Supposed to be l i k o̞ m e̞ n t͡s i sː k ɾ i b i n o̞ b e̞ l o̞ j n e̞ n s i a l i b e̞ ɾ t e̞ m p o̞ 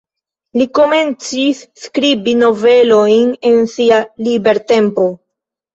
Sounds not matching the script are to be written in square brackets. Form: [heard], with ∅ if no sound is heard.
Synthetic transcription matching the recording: l i k o̞ m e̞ n t͡s i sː k ɾ i b i n o̞ [v] e̞ l o̞ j n e̞ n s i a l i b e̞ ɾ t e̞ m p o̞